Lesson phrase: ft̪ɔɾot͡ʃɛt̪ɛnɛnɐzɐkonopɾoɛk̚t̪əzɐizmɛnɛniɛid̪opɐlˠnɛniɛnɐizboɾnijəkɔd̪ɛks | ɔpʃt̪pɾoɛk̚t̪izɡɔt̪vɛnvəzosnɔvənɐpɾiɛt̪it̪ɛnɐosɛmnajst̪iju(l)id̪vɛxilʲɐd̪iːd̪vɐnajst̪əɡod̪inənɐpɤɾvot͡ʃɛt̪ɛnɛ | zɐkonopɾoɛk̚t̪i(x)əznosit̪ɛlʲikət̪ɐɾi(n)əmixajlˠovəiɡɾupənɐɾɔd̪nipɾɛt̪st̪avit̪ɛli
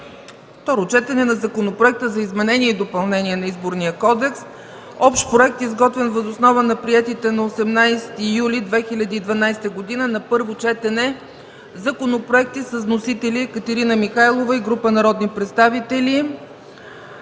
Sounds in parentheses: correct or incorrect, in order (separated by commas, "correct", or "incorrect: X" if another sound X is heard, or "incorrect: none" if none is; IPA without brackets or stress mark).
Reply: correct, incorrect: s, correct